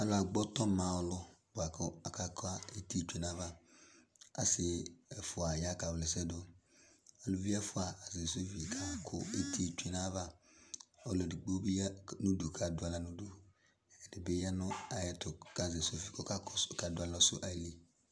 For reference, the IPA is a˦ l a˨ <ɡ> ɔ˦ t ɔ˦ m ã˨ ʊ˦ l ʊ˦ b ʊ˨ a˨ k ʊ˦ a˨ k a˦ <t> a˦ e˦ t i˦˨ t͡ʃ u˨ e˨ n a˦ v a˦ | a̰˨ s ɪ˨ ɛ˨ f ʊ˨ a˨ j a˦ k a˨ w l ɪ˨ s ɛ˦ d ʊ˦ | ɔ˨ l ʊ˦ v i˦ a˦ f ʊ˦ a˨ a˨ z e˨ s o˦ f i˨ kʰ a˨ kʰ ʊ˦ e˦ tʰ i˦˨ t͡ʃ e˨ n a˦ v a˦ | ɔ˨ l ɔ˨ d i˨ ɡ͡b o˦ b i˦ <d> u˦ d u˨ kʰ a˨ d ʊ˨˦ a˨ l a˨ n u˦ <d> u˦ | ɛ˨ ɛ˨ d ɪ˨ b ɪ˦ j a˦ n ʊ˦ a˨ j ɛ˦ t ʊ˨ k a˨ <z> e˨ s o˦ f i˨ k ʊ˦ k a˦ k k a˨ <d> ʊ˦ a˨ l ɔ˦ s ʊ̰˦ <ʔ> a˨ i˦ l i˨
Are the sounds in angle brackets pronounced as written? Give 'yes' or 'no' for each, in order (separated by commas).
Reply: no, no, no, yes, yes, yes, yes